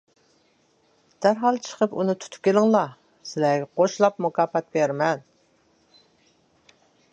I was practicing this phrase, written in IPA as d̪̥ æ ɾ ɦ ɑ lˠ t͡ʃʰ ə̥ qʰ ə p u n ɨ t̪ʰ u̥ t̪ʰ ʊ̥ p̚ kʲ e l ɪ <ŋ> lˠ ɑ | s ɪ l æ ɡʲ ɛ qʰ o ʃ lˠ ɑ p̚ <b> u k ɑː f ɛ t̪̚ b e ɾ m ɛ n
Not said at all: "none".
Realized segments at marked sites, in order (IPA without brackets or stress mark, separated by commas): ŋ, m